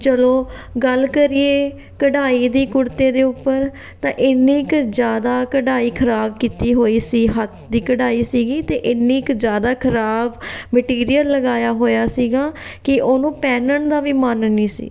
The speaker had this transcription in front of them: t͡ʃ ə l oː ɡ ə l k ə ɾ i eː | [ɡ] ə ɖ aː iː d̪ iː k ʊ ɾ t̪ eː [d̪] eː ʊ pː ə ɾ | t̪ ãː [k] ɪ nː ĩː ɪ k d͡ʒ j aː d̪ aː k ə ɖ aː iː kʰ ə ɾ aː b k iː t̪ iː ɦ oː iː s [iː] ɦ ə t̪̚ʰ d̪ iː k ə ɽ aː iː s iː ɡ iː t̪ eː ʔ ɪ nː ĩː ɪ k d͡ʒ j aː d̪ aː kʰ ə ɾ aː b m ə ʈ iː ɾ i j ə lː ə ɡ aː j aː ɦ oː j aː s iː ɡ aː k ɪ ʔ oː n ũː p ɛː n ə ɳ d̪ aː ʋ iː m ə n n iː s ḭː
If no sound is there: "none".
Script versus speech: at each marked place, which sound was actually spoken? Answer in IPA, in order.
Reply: k, d̪, ʔ, iː

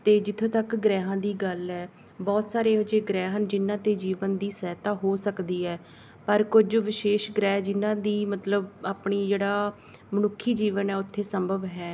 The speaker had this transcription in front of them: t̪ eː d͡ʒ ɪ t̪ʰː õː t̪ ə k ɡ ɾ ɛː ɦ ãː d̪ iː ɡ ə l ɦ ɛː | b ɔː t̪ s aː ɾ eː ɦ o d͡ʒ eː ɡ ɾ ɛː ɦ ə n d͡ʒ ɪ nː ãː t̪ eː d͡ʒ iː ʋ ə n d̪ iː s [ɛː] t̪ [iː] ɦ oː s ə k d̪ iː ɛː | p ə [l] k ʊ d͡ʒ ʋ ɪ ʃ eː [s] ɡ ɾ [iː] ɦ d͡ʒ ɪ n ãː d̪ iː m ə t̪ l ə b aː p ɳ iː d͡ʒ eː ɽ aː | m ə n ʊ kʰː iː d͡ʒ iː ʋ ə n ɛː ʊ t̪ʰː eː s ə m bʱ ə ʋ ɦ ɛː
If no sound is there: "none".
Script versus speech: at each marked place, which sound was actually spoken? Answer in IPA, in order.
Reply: ɛː, aː, ɾ, ʃ, ɛː

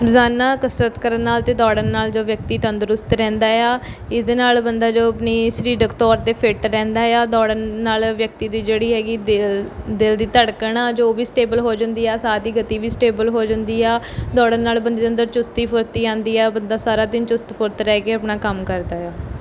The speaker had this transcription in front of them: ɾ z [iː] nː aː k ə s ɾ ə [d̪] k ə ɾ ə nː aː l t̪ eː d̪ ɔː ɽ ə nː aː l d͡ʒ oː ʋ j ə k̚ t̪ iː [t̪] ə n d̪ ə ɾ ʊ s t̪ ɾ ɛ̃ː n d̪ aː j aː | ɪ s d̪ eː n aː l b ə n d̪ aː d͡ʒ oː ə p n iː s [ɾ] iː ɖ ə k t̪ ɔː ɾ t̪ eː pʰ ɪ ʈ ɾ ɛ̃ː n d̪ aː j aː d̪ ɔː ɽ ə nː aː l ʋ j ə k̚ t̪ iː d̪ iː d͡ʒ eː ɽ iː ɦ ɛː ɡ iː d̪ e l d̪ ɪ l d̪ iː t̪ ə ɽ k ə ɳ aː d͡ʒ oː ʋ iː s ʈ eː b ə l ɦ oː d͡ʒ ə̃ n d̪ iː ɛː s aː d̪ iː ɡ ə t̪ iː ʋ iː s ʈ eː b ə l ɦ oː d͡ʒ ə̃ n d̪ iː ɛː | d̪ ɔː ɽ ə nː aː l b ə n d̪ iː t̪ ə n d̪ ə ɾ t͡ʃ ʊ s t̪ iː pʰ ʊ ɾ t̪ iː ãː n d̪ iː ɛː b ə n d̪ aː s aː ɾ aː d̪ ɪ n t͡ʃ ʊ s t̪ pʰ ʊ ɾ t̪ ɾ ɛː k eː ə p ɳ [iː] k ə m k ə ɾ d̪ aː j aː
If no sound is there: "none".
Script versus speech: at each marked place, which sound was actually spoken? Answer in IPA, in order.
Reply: aː, t̪, t̪, ɾ, aː

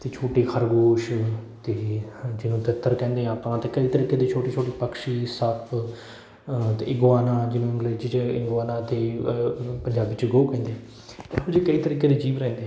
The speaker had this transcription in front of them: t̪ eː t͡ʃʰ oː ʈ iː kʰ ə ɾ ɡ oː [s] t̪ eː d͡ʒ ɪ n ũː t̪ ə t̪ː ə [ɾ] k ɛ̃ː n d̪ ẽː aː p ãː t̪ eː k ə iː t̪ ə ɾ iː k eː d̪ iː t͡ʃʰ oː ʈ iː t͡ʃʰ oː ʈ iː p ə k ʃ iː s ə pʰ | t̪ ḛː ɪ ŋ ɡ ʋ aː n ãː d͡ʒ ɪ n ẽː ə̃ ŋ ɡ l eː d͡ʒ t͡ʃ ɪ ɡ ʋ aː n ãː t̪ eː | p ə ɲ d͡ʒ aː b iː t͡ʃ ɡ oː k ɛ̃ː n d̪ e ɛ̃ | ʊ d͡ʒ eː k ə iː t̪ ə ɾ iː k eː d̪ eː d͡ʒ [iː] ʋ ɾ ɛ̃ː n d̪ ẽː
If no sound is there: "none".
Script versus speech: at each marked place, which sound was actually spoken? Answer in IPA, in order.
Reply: ʃ, ɾ, iː

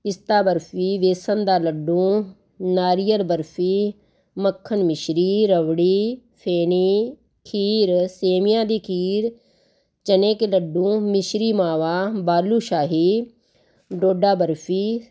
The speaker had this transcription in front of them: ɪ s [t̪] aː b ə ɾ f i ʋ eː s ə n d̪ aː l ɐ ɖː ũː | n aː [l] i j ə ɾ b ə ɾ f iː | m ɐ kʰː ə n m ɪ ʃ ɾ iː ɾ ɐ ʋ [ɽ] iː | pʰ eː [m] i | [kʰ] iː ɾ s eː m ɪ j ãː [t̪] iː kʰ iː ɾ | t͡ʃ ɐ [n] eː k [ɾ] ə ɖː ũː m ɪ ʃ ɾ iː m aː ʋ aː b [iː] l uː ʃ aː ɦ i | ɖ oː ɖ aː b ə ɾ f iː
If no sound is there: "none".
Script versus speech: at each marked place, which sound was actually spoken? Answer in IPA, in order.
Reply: t̪, ɾ, ɽ, n, kʰ, d̪, n, l, aː

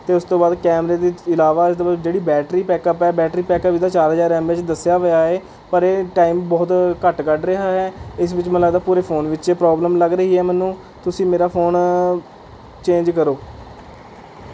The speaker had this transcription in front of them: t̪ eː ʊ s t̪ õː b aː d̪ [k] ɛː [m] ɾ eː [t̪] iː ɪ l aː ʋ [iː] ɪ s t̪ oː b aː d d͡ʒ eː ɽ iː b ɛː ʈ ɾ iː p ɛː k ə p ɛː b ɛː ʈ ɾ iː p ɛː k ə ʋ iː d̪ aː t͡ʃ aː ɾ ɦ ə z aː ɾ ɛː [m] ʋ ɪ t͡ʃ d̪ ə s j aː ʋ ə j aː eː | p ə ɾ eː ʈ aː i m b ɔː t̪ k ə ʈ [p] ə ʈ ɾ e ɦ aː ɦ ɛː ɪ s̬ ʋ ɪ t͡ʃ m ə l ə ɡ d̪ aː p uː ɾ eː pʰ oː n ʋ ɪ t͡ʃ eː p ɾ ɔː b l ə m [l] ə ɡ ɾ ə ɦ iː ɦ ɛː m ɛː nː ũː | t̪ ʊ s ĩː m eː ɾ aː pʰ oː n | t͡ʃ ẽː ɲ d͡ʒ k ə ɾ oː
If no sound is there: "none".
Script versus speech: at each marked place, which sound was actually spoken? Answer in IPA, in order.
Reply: k, m, d̪, aː, m, k, l

